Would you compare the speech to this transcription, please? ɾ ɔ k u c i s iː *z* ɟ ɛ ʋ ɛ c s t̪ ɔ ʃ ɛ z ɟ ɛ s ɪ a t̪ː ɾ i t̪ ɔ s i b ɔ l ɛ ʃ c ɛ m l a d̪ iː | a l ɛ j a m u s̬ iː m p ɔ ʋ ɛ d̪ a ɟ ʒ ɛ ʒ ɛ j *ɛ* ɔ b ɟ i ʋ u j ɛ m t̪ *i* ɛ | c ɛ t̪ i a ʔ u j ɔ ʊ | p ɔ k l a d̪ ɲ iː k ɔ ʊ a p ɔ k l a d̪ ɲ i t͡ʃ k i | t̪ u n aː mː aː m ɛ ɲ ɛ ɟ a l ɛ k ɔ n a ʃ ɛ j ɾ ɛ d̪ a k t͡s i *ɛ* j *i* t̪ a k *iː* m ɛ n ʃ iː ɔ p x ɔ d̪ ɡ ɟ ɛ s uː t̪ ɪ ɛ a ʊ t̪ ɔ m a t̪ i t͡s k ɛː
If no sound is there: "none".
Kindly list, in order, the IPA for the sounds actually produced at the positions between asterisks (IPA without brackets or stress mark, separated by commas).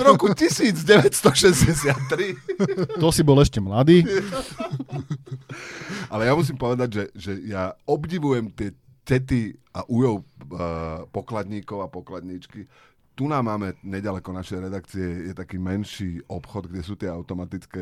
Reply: d͡z, a, ɪ, ɛ, ɛ, iː